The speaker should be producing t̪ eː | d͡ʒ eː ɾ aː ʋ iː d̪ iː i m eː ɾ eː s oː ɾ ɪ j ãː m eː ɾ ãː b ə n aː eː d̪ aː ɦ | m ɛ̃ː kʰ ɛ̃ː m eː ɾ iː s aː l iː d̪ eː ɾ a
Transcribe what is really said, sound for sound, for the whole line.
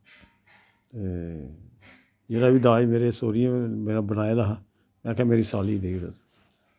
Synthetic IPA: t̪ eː | d͡ʒ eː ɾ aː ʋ iː d̪ aː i m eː ɾ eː s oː ɾ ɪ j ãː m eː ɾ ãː b ə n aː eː d̪ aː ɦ | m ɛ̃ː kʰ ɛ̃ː m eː ɾ iː s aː l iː d̪ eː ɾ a